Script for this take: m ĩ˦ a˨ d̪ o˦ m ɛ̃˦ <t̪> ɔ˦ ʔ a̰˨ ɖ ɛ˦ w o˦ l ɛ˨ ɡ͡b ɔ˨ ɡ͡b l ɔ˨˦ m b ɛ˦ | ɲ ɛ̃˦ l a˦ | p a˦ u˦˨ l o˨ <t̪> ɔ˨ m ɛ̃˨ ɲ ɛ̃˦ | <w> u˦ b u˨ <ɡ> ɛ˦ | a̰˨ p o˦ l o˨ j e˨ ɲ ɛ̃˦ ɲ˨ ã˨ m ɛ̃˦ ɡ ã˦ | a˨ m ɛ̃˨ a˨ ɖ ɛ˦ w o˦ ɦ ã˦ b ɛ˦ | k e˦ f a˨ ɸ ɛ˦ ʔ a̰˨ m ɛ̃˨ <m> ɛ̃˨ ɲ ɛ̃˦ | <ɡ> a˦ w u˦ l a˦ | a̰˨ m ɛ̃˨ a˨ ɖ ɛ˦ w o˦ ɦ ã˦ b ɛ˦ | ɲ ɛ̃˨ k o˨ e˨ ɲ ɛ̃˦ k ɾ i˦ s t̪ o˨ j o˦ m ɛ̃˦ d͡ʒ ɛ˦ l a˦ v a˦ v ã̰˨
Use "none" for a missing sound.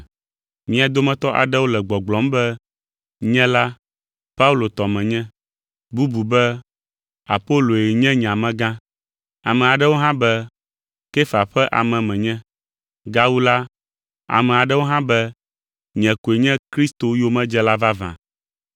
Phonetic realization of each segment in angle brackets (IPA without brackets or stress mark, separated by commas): t̪, t̪, b, b, m, ɡ